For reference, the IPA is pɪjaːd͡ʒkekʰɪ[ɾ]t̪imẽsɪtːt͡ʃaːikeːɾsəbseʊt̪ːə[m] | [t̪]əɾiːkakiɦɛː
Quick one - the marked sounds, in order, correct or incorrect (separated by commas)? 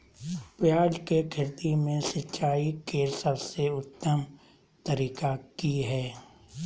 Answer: correct, correct, correct